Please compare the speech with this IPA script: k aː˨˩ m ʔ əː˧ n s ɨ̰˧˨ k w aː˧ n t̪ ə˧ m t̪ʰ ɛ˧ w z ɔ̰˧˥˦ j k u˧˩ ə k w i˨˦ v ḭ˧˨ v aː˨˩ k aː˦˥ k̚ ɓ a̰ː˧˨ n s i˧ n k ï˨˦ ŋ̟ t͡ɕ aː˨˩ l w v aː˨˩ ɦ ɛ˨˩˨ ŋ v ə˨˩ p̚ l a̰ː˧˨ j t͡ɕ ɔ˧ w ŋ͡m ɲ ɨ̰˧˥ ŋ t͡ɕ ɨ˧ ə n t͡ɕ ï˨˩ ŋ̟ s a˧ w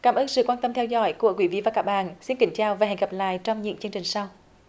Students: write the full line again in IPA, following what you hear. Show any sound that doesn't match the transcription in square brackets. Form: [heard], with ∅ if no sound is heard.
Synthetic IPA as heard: k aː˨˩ m ʔ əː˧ n s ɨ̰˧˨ k w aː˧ n t̪ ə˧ m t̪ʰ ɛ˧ w z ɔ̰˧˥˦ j k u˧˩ ə k w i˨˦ v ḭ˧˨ v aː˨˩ k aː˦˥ k̚ ɓ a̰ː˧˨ n s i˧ n k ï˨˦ ŋ̟ t͡ɕ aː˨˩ [∅] w v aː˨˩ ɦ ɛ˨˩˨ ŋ [ɣ] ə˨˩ p̚ l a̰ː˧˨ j t͡ɕ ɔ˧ w ŋ͡m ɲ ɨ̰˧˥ ŋ t͡ɕ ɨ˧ ə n t͡ɕ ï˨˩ ŋ̟ s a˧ w